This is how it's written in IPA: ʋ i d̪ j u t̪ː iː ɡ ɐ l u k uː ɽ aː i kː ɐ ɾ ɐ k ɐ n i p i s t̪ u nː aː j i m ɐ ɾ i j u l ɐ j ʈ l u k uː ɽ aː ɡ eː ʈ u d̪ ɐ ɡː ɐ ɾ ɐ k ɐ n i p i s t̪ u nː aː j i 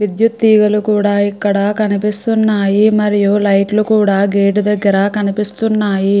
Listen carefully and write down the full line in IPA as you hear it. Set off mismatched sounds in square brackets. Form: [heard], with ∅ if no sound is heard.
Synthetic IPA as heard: ʋ i d̪ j u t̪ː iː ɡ ɐ l u k uː ɽ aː i kː ɐ [ɽ] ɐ k ɐ n i p i s t̪ u nː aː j i m ɐ ɾ i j u l ɐ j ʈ l u k uː ɽ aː ɡ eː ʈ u d̪ ɐ ɡː ɐ ɾ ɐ k ɐ n i p i s t̪ u nː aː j i